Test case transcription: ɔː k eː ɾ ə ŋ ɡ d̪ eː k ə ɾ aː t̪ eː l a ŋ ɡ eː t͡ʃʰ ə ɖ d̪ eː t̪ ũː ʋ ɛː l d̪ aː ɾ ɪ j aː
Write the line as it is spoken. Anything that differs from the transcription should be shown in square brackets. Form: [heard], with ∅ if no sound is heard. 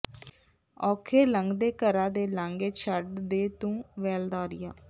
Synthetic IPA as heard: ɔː [kʰ] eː [l] ə ŋ ɡ d̪ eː k ə ɾ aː [d̪] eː l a ŋ ɡ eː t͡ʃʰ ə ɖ d̪ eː t̪ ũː ʋ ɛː l d̪ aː ɾ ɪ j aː